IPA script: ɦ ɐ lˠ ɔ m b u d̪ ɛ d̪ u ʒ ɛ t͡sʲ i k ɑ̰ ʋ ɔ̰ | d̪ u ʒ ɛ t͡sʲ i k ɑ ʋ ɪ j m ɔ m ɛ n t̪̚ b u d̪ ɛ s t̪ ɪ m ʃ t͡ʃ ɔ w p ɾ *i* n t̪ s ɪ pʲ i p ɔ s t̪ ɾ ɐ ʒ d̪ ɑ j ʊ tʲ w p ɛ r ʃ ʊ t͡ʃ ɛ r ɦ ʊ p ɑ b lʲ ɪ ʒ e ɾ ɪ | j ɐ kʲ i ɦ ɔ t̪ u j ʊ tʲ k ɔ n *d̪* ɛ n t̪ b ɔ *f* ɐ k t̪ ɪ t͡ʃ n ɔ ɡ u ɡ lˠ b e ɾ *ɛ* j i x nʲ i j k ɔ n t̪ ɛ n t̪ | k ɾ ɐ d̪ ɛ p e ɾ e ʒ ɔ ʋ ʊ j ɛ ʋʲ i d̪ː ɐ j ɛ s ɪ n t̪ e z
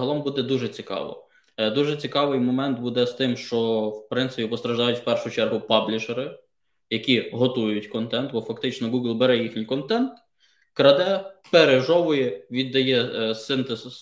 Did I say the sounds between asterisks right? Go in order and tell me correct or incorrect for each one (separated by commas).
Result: incorrect, incorrect, correct, correct